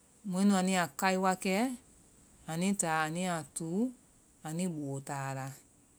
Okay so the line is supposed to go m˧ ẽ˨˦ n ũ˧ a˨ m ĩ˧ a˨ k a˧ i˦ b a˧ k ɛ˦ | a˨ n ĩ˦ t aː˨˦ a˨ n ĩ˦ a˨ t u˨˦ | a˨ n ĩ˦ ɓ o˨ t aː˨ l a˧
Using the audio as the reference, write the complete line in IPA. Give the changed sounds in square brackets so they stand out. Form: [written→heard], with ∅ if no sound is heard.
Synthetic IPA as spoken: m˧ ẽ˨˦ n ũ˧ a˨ [m→n] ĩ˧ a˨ k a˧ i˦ [b→w] a˧ k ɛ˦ | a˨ n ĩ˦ t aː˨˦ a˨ n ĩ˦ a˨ t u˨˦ | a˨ n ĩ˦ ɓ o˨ t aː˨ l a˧